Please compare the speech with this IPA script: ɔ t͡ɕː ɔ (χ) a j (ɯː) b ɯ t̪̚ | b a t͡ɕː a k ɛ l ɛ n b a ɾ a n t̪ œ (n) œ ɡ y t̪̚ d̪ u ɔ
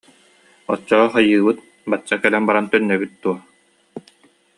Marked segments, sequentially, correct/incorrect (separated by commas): correct, correct, incorrect